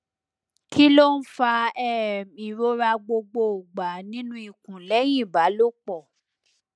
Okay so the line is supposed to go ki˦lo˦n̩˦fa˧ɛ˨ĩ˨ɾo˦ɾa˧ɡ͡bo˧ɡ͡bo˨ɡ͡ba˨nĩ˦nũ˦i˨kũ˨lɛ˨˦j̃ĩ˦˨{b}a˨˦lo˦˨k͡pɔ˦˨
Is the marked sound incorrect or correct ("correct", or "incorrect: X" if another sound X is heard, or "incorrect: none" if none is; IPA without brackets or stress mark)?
correct